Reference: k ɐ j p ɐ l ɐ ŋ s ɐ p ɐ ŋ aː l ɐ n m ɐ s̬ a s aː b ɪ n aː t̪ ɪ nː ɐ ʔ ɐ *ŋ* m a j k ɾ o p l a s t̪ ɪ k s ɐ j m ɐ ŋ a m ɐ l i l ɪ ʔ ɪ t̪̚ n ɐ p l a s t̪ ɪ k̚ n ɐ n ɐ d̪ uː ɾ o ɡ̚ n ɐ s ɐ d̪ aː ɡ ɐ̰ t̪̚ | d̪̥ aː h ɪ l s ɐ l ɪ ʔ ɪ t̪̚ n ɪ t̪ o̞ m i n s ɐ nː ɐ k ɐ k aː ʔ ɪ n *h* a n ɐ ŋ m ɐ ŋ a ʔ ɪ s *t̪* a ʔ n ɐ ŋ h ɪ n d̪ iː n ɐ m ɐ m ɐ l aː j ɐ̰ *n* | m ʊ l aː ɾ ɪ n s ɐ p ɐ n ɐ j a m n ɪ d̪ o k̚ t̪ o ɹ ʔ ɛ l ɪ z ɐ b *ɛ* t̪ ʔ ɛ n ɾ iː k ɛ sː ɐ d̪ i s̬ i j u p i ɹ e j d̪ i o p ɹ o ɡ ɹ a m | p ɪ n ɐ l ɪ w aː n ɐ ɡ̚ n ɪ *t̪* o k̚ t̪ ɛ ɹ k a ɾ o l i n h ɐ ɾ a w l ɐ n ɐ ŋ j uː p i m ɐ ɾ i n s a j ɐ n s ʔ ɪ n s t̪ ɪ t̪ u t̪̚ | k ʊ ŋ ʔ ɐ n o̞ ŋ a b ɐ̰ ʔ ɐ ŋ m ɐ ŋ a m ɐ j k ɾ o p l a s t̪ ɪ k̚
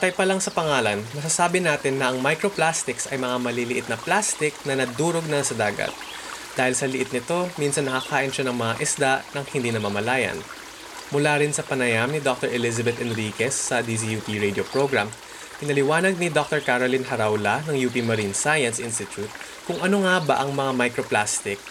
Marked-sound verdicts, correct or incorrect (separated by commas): correct, incorrect, incorrect, correct, correct, incorrect